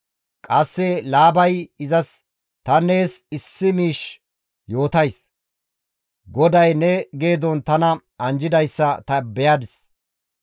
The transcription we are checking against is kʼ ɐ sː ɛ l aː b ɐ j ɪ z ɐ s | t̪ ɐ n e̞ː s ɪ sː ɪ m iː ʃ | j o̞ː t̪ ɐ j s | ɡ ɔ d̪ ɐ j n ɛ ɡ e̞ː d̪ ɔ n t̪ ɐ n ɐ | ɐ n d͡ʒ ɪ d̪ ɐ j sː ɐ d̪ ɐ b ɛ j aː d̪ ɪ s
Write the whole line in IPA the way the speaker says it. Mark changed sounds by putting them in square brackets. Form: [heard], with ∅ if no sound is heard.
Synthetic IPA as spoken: kʼ ɐ sː ɛ l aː b ɐ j ɪ z ɐ s | t̪ ɐ n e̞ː s ɪ sː ɪ m iː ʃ | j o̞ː t̪ ɐ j s | ɡ ɔ d̪ ɐ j n ɛ ɡ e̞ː d̪ ɔ n t̪ ɐ n ɐ | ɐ n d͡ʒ ɪ d̪ ɐ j sː ɐ [t̪] ɐ b ɛ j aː d̪ ɪ s